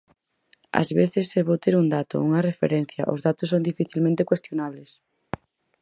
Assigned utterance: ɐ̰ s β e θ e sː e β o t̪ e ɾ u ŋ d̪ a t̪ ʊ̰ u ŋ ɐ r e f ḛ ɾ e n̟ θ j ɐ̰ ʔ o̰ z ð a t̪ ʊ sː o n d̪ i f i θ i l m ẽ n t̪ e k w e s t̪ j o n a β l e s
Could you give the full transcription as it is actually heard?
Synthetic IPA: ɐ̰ z β e θ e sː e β o t̪ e ɾ u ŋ d̪ a t̪ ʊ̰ u ŋ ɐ r e f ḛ ɾ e n̟ θ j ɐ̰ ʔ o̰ z ð a t̪ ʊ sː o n d̪ i f i θ i l m ẽ n t̪ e k w e s t̪ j o n a β l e s